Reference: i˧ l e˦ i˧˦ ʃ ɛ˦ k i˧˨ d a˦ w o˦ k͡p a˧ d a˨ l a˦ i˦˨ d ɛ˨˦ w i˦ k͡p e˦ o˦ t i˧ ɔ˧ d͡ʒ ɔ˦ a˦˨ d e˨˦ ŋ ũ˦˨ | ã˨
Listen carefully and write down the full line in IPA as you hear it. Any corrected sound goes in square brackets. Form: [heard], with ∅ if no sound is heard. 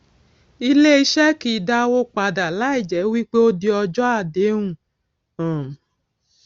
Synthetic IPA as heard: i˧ l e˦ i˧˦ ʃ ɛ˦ k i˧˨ d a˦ w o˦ k͡p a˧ d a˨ l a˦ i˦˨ [d͡ʒ] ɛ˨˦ w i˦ k͡p e˦ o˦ [d] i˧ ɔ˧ d͡ʒ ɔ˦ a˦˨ d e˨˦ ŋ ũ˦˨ | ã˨